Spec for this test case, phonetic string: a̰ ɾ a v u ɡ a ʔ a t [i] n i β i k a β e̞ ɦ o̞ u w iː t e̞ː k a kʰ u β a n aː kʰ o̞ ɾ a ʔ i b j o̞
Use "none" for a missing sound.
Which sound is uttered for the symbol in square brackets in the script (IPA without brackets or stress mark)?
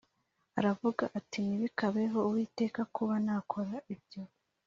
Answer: i